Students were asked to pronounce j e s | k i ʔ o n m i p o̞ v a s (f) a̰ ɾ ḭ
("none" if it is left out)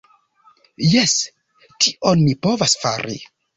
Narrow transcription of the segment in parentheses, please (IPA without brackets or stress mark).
f